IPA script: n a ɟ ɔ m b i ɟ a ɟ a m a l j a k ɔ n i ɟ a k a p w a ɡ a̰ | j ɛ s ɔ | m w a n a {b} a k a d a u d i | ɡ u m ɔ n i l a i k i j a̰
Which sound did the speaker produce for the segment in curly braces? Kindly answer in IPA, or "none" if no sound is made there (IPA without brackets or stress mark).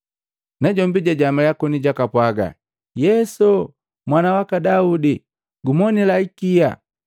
w